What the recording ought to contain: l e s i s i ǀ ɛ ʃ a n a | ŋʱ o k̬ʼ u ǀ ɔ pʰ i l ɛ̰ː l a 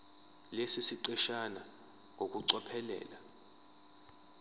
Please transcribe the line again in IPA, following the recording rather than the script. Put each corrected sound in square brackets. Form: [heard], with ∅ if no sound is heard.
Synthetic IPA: l e s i s i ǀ ɛ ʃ a n a | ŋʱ o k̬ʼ u ǀ ɔ pʰ [ɛ] l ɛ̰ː l a